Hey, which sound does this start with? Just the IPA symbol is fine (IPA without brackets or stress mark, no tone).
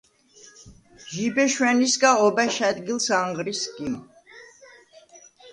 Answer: ʒ